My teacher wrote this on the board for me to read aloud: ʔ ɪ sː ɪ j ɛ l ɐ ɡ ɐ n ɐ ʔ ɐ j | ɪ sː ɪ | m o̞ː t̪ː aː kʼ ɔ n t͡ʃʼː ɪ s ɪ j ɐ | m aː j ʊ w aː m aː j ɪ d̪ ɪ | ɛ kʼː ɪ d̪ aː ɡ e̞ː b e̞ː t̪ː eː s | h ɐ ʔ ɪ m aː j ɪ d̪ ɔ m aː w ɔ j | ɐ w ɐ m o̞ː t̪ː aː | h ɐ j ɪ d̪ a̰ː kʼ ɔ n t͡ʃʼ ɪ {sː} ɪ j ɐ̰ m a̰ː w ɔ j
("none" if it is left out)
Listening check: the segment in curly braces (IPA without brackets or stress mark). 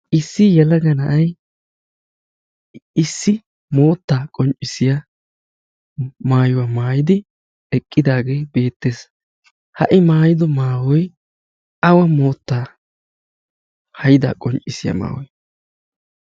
s